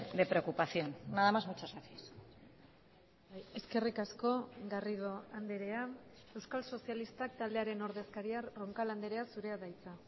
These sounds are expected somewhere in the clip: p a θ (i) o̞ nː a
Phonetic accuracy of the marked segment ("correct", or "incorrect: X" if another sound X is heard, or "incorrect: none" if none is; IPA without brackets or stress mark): incorrect: j